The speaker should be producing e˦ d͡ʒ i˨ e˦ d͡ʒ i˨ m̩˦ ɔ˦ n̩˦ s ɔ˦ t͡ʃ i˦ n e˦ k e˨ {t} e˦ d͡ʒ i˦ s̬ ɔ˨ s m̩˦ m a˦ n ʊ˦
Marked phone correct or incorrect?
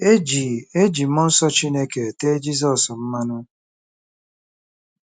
correct